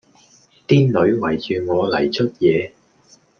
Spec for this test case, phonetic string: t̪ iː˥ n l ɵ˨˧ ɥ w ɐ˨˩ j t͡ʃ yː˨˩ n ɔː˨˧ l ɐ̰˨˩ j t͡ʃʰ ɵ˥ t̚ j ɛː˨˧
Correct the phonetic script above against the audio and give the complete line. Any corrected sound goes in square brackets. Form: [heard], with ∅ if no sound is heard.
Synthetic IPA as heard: t̪ iː˥ n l ɵ˨˧ ɥ w ɐ˨˩ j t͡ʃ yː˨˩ [ŋ] ɔː˨˧ l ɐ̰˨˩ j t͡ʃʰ ɵ˥ t̚ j ɛː˨˧